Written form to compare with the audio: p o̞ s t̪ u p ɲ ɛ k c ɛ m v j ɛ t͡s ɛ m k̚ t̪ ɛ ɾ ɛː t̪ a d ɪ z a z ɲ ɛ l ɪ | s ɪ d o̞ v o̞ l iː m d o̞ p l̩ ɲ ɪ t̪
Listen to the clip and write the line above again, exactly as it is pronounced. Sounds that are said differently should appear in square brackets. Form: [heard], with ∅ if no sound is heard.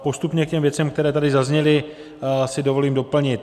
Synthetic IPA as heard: p o̞ s t̪ u p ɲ ɛ k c ɛ m v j ɛ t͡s ɛ m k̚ t̪ ɛ ɾ ɛː t̪ a d ɪ z a z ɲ ɛ l ɪ | s ɪ d o̞ v o̞ l iː m d o̞ p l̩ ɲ ɪ t̪